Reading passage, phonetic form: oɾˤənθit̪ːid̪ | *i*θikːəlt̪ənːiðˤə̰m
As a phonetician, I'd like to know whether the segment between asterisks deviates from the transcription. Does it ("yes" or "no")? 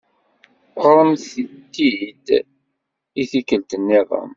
no